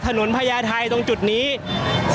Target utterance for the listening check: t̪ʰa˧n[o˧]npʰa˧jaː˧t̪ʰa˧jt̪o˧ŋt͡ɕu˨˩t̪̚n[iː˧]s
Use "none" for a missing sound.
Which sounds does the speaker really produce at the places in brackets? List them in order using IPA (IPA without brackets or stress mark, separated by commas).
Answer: o˩˦, iː˦˥